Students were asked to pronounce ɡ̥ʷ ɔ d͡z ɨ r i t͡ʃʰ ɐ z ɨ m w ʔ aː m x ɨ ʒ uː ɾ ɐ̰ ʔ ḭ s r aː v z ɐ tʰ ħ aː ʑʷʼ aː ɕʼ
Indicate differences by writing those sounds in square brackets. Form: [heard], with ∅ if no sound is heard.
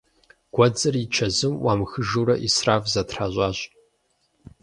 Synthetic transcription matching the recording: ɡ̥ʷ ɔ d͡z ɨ r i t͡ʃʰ ɐ z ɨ m w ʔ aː m x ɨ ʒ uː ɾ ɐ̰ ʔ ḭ s r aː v z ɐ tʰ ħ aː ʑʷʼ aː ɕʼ